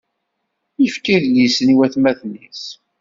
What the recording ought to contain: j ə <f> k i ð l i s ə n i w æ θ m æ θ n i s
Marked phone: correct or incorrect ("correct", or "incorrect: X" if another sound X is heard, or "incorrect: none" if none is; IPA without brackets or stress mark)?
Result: correct